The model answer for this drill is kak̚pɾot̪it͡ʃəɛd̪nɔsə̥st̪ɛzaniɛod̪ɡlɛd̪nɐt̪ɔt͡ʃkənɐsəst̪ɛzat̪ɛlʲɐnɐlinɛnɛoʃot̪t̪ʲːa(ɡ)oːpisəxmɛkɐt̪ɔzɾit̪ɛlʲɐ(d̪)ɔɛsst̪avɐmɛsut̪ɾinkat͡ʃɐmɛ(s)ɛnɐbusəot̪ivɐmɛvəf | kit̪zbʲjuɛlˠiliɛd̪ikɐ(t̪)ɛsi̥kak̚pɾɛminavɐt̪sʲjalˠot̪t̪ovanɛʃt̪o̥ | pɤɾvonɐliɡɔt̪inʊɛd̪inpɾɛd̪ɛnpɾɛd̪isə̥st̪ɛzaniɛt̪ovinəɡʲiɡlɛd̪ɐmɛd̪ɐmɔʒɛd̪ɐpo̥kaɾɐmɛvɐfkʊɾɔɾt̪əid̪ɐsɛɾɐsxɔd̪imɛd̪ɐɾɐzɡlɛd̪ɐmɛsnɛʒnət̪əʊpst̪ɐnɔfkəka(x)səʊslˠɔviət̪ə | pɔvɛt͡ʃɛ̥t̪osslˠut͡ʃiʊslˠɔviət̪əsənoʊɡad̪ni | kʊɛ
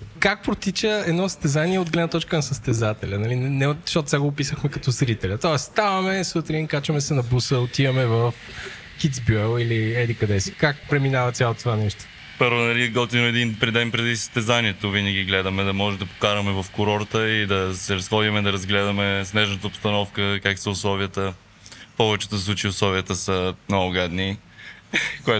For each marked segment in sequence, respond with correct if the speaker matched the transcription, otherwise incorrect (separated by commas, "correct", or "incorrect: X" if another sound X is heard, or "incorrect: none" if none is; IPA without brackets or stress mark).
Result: correct, incorrect: t̪, correct, incorrect: d̪, incorrect: k